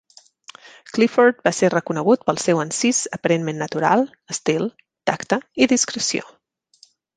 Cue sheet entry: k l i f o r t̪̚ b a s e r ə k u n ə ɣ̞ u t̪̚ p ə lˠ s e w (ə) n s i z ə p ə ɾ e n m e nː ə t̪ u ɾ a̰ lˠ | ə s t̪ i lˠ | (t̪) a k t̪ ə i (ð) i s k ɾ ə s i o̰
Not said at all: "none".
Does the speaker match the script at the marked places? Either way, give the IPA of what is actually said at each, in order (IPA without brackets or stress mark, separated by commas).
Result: ə, t̪, ð